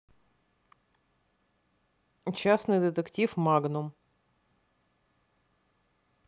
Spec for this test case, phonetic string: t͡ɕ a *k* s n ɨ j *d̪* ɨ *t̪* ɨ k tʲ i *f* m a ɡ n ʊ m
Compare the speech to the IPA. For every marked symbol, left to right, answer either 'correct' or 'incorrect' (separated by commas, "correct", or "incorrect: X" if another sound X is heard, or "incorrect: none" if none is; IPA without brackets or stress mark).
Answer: incorrect: none, correct, correct, correct